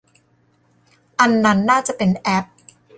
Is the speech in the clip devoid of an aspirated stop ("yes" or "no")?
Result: yes